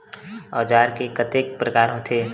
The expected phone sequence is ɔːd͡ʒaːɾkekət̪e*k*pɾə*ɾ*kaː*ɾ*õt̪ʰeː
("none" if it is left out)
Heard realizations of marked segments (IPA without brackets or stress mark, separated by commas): k, none, ɾ